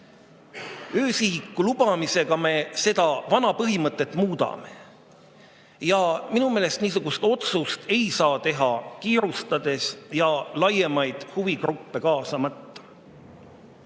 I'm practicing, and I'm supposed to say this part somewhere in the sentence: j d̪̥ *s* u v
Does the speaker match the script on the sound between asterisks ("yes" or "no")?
no